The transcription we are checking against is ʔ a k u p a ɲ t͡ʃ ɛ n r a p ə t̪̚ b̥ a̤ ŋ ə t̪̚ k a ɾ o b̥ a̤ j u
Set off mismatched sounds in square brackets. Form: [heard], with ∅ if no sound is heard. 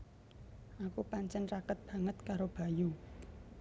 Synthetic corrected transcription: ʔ a k u p a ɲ t͡ʃ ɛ n r a [k] ə t̪̚ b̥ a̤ ŋ ə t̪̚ k a ɾ o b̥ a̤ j u